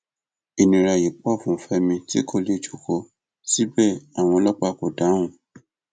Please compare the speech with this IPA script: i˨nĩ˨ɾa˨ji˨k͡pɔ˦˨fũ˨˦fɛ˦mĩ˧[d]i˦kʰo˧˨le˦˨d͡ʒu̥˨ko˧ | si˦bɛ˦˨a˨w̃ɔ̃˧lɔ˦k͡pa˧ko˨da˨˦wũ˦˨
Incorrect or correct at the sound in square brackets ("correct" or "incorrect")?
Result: incorrect